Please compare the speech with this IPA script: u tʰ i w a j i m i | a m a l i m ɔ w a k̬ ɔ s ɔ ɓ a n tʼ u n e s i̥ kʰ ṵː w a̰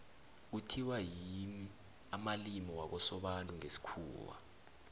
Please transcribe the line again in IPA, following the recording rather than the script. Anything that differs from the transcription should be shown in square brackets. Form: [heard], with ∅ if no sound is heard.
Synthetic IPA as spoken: u tʰ i w a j i m i | a m a l i m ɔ w a k̬ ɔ s ɔ ɓ a n tʼ u [ŋ] e s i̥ kʰ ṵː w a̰